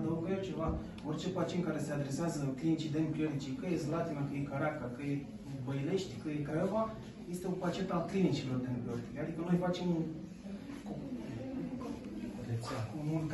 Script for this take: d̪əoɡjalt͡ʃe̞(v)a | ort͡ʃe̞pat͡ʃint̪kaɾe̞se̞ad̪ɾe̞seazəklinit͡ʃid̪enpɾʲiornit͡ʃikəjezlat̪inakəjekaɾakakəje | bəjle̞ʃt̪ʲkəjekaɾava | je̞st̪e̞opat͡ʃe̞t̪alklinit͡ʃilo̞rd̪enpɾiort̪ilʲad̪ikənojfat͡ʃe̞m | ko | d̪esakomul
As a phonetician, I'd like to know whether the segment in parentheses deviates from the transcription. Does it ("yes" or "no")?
no